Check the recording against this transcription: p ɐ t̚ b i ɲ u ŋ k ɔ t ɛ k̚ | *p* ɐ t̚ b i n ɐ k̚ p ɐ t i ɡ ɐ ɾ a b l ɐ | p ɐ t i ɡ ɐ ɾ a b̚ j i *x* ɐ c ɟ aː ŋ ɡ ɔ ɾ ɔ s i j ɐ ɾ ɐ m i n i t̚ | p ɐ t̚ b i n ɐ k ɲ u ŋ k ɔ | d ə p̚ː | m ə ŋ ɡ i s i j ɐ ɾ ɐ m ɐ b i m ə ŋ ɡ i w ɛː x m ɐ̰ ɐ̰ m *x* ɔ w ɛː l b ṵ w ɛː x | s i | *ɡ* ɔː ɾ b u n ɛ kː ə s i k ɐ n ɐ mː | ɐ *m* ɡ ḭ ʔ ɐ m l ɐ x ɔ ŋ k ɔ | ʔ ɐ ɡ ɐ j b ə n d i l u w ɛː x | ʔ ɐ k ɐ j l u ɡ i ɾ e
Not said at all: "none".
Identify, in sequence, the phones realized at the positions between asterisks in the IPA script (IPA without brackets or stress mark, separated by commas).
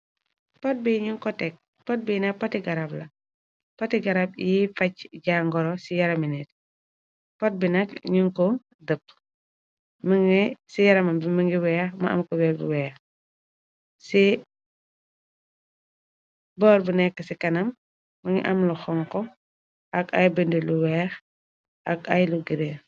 p, f, k, b, ŋ